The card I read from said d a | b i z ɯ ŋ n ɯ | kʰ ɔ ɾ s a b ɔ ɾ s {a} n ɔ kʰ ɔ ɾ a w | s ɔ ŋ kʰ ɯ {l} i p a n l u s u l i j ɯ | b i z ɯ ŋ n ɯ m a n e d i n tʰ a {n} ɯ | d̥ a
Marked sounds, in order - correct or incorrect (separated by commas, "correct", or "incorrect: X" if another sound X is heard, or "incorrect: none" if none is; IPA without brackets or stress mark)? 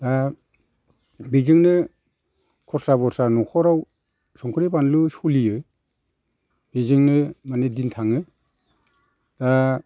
correct, incorrect: ɾ, incorrect: ŋ